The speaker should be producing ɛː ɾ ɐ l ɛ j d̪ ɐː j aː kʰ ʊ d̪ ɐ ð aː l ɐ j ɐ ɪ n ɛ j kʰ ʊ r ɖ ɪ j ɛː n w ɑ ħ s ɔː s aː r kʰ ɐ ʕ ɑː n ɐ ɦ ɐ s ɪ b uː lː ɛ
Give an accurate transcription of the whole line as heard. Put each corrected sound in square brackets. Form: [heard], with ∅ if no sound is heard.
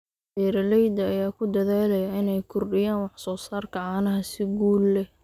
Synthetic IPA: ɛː ɾ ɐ l ɛ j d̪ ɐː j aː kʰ ʊ d̪ ɐ ð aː l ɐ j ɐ ɪ n ɛ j kʰ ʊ r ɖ ɪ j [aː] n w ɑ ħ s ɔː s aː r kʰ ɐ ʕ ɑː n ɐ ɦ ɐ s ɪ [ɡ] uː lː ɛ